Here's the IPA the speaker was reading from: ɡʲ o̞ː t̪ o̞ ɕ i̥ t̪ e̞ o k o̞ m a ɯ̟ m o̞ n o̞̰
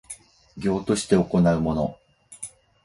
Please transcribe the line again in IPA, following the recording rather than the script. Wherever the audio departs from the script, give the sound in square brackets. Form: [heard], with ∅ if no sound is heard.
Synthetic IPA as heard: ɡʲ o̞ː t̪ o̞ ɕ i̥ t̪ e̞ o k o̞ [n] a ɯ̟ m o̞ n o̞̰

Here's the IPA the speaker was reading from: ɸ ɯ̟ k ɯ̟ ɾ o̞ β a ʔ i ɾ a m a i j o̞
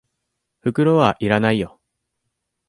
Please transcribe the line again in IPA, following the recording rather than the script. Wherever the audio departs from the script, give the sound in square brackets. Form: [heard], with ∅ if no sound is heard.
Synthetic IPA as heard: ɸ ɯ̟ k ɯ̟ ɾ o̞ β a ʔ i ɾ a [n] a i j o̞

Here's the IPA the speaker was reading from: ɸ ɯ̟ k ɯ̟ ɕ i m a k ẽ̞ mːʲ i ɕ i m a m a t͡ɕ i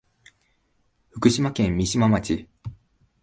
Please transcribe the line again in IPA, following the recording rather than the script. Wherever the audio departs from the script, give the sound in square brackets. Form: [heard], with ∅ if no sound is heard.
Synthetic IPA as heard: ɸ ɯ̟ k ɯ̟ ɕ i m a k ẽ̞ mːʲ i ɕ i m a m a t͡ɕ i

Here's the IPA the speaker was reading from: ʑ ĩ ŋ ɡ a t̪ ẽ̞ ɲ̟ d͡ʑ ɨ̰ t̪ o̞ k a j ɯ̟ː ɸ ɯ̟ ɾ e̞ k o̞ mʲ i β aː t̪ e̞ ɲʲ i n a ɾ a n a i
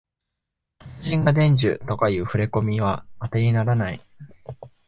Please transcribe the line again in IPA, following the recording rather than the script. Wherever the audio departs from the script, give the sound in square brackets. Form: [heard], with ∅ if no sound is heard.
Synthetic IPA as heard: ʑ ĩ ŋ ɡ a [d̪] ẽ̞ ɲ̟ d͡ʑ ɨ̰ t̪ o̞ k a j ɯ̟ː ɸ ɯ̟ ɾ e̞ k o̞ mʲ i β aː t̪ e̞ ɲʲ i n a ɾ a n a i

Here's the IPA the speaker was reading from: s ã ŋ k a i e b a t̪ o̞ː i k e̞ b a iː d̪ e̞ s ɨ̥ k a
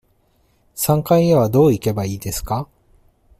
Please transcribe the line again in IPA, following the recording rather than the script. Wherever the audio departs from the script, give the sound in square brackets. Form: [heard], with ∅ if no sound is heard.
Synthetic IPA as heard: s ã ŋ k a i e [β] a [d̪] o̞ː i k e̞ b a iː d̪ e̞ s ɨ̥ k a

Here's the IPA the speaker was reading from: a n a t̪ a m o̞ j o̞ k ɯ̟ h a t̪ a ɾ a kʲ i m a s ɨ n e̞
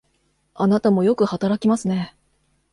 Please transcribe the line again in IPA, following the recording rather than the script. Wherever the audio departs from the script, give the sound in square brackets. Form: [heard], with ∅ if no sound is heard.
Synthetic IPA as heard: a n a t̪ a m o̞ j o̞ k ɯ̟ h a t̪ a ɾ a kʲ i m a s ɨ n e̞

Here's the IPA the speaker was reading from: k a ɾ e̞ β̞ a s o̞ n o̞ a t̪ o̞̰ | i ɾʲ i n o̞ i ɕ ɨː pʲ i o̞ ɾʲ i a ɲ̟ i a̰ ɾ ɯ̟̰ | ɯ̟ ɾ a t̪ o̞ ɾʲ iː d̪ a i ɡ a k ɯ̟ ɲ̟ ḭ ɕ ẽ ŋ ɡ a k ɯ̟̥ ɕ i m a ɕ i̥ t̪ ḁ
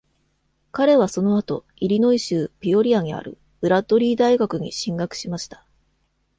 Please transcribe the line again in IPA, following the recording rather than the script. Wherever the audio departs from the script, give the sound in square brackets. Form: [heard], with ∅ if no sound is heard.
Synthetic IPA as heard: k a ɾ e̞ β̞ a s o̞ n o̞ a t̪ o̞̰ | i ɾʲ i n o̞ i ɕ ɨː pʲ i o̞ ɾʲ i a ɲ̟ i a̰ ɾ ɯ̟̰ | ɯ̟ ɾ a t̪ o̞ ɾʲ iː d̪ a i ɡ a k ɯ̟ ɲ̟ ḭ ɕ [ĩ] ŋ ɡ a k ɯ̟̥ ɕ i m a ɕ i̥ t̪ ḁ

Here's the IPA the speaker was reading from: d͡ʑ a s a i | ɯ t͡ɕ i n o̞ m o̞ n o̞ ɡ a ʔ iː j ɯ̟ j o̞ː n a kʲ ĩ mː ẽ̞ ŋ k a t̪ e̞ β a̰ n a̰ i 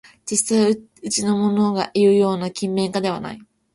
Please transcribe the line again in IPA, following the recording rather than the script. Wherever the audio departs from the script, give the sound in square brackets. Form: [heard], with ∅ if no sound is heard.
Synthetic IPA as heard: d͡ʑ [i] s a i | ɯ t͡ɕ i n o̞ m o̞ n o̞ ɡ a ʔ [i] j ɯ̟ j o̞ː n a kʲ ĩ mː ẽ̞ ŋ k a [d̪] e̞ β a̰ n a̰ i

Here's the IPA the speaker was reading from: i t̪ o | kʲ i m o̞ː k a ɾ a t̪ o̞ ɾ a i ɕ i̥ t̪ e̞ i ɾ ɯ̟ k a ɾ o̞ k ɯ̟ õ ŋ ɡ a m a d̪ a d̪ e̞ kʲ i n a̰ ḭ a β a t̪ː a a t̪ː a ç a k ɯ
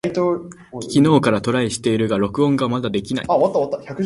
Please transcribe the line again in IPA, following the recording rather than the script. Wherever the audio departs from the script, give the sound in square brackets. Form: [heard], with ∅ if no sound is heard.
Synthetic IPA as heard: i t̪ o | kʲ i [n] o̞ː k a ɾ a t̪ o̞ ɾ a i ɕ i̥ t̪ e̞ i ɾ ɯ̟ [ɡ] a ɾ o̞ k ɯ̟ õ ŋ ɡ a m a d̪ a d̪ e̞ kʲ i n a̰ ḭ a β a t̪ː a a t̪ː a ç a k ɯ

